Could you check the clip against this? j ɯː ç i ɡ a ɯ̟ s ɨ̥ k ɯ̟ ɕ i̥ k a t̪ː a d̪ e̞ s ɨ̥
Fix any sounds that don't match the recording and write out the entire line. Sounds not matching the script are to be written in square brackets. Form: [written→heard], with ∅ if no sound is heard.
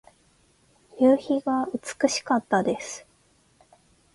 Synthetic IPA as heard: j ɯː ç i ɡ a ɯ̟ [s→t͡s] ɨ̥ k ɯ̟ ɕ i̥ k a t̪ː a d̪ e̞ s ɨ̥